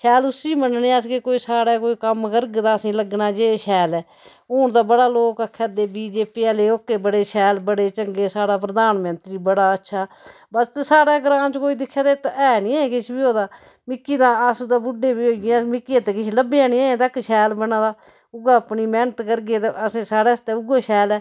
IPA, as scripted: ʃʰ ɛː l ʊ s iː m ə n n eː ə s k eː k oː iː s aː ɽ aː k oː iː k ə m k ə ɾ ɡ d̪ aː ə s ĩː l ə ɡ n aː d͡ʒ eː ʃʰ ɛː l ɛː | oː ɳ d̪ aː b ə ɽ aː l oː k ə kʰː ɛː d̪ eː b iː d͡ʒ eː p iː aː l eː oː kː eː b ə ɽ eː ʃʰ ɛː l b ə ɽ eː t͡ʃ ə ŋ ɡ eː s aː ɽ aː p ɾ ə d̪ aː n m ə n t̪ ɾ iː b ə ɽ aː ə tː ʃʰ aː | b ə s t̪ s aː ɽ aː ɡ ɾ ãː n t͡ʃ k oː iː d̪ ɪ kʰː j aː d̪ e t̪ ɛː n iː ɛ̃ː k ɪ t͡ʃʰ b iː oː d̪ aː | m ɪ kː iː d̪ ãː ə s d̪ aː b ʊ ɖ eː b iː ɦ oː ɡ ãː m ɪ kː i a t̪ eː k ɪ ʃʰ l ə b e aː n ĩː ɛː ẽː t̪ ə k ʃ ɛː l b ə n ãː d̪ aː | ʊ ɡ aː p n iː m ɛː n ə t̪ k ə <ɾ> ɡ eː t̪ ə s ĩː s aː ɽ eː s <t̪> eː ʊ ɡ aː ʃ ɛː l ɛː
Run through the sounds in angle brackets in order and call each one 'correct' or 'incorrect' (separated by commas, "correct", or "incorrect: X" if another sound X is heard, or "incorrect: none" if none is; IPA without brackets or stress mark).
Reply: correct, correct